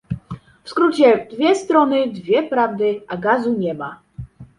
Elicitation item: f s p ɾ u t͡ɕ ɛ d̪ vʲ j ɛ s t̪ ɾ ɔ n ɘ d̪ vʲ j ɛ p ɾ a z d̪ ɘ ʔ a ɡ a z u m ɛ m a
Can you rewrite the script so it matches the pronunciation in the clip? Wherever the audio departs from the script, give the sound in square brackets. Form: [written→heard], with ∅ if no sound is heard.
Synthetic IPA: f s [p→k] ɾ u t͡ɕ ɛ d̪ vʲ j ɛ s t̪ ɾ ɔ n ɘ d̪ vʲ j ɛ p ɾ a [z→v] d̪ ɘ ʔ a ɡ a z u [m→ɲ] ɛ m a